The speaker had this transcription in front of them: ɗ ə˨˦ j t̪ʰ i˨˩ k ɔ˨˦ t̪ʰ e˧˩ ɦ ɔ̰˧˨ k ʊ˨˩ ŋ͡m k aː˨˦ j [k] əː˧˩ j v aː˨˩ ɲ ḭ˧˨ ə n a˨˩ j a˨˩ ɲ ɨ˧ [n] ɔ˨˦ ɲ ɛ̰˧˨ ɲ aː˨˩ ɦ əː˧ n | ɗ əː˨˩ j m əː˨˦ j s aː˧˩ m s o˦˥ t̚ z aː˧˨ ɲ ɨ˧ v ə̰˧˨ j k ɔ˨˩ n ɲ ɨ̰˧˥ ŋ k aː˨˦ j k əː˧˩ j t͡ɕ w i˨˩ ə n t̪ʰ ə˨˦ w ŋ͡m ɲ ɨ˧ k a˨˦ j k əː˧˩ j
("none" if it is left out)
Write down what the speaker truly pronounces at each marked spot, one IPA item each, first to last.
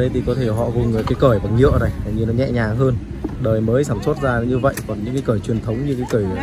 k, n

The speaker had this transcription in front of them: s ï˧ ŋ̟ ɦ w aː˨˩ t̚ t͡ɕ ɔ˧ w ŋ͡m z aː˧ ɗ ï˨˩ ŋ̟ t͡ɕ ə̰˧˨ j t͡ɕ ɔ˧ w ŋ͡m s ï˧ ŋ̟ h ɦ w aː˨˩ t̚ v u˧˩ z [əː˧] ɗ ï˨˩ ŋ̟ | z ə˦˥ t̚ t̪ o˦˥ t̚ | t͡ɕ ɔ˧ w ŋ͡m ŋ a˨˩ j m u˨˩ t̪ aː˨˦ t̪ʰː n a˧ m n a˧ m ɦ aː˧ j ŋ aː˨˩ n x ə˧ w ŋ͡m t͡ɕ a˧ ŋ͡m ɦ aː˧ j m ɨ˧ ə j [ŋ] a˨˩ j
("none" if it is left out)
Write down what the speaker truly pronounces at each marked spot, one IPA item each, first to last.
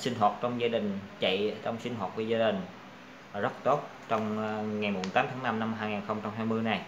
aː˧, n

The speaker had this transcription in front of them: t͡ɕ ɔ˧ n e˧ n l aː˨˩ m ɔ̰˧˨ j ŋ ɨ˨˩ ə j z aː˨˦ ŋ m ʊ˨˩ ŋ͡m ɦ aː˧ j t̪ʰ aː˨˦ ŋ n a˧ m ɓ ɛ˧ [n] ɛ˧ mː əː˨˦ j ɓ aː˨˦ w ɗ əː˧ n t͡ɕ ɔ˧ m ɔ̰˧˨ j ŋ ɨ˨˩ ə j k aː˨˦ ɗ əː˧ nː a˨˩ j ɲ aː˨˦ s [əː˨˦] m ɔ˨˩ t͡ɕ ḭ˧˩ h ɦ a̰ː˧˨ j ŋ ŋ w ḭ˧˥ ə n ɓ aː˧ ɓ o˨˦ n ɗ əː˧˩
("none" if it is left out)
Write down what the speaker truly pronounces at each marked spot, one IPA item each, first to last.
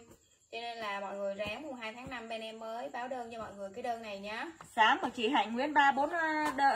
n, aː˨˦

